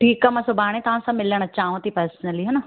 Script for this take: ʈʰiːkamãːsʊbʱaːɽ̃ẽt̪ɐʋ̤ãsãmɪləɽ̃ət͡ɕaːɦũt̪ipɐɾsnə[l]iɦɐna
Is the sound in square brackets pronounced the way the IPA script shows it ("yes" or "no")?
yes